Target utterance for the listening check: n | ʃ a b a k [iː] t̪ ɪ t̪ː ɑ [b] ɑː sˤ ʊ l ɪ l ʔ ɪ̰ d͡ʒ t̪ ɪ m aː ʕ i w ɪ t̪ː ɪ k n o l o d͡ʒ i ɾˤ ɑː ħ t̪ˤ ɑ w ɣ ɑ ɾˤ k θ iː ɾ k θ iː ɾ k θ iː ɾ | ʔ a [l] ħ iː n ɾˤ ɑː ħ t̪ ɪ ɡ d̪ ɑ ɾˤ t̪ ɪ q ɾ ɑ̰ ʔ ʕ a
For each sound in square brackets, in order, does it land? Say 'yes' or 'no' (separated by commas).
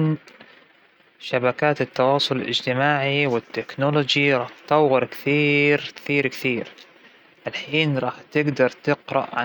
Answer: no, no, yes